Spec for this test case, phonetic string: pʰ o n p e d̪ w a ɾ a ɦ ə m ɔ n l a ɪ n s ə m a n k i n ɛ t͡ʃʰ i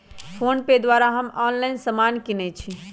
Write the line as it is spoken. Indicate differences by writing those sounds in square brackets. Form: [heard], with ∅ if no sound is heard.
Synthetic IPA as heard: pʰ o n p e d̪ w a ɾ a ɦ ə m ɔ n l a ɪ n s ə m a n k i n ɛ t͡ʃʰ i